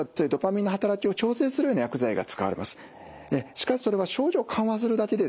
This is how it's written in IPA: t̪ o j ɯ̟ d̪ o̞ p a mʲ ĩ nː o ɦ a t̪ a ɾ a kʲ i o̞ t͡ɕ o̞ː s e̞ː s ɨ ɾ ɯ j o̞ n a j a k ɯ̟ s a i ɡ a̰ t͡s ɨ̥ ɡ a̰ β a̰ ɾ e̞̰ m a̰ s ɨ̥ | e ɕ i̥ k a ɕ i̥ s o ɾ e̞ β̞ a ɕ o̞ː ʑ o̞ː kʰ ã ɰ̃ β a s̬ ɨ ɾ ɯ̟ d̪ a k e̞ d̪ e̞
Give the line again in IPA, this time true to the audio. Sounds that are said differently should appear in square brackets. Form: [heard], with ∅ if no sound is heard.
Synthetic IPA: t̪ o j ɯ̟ d̪ o̞ p a mʲ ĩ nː o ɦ a t̪ a ɾ a kʲ i o̞ t͡ɕ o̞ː s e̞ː s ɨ ɾ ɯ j o̞ n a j a k ɯ̟ [z] a i ɡ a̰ t͡s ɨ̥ [k] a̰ β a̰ ɾ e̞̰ m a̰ s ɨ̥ | e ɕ i̥ k a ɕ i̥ s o ɾ e̞ β̞ a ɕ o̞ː ʑ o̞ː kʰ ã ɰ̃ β a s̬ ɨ ɾ ɯ̟ d̪ a k e̞ d̪ e̞